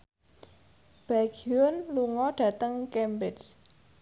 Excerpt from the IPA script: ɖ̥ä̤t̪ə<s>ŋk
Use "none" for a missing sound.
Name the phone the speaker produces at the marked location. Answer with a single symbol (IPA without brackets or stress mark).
none